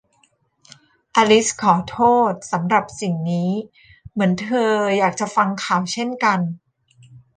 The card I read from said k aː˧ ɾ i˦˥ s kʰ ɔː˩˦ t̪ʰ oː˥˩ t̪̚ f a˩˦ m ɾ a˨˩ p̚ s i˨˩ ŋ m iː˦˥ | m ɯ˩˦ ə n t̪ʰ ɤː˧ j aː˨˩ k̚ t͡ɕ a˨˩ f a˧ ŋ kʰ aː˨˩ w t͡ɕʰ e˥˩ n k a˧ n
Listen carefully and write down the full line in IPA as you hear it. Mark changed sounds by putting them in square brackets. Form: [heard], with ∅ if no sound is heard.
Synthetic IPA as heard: [ʔ] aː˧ [l] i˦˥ s kʰ ɔː˩˦ t̪ʰ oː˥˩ t̪̚ [s] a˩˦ m ɾ a˨˩ p̚ s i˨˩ ŋ [n] iː˦˥ | m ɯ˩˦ ə n t̪ʰ ɤː˧ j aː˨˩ k̚ t͡ɕ a˨˩ f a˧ ŋ kʰ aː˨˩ w t͡ɕʰ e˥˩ n k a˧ n